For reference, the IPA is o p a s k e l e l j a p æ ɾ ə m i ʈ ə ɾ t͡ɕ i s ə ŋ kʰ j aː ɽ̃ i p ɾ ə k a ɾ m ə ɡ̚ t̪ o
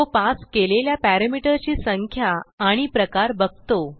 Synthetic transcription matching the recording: o p a s k e l e l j a p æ ɾ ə m i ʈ ə ɾ t͡ɕ iː s ə ŋ kʰ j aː ɽ̃ i p ɾ ə k a ɾ b ə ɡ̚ t̪ o